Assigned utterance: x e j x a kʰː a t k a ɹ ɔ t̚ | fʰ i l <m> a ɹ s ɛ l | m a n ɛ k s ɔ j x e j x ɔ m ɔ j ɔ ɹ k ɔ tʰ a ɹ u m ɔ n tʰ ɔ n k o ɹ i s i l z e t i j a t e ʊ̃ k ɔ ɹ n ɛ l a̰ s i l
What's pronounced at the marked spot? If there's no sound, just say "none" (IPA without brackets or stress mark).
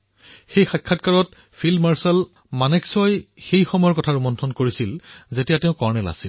m